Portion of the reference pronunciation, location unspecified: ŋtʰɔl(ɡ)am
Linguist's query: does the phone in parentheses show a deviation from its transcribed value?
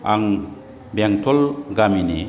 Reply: no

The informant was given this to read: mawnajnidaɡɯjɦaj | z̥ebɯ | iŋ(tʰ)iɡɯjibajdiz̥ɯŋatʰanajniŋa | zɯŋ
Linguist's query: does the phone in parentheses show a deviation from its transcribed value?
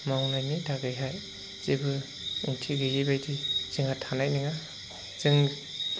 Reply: no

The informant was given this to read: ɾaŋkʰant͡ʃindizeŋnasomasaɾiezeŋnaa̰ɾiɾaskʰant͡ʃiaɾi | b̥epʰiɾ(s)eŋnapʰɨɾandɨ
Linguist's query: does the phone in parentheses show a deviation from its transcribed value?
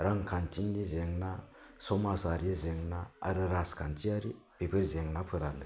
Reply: yes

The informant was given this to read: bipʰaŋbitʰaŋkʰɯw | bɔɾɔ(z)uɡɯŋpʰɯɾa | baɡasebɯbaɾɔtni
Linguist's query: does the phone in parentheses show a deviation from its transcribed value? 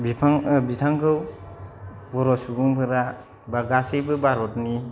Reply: yes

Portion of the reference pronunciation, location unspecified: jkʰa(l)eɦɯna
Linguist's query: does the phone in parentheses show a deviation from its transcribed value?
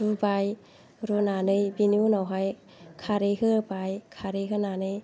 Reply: yes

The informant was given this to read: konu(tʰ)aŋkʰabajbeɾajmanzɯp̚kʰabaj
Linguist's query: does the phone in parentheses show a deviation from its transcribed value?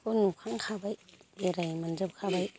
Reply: yes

